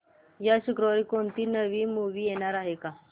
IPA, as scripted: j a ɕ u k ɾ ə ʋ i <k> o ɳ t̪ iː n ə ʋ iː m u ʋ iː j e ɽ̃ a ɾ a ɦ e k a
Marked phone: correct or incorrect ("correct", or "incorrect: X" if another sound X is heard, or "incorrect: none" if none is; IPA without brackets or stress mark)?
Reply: correct